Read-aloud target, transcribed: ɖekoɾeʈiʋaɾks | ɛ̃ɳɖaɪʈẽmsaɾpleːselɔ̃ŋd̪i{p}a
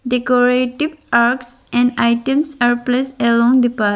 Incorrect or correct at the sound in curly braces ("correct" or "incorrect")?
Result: correct